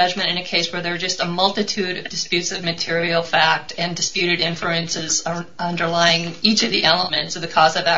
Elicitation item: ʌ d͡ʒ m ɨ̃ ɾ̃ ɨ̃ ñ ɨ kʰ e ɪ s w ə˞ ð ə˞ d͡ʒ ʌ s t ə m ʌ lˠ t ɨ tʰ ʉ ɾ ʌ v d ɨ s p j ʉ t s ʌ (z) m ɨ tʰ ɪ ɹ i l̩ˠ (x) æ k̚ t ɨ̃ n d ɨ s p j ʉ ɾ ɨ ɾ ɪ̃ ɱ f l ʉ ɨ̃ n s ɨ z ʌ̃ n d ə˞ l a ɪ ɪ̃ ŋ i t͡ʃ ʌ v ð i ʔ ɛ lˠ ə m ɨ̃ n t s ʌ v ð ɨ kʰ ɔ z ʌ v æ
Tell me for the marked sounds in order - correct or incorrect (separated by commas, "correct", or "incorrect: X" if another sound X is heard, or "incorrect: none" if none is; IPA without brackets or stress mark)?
incorrect: v, incorrect: f